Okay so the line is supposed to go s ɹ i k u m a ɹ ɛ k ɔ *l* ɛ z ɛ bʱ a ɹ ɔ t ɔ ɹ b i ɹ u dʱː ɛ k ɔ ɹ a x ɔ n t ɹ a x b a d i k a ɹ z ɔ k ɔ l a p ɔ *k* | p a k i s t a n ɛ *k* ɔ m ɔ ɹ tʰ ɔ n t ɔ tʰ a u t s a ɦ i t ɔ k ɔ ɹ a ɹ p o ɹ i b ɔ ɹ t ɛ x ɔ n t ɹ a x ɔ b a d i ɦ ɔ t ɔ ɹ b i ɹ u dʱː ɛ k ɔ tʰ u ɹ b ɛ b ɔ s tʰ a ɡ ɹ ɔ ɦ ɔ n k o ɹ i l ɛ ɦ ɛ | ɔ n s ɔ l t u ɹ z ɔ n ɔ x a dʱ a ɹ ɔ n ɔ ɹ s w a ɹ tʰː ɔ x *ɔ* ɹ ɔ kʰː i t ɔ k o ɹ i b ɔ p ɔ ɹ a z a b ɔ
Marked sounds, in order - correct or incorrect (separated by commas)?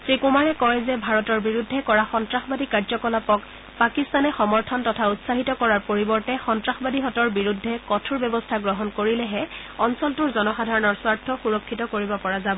incorrect, correct, incorrect, incorrect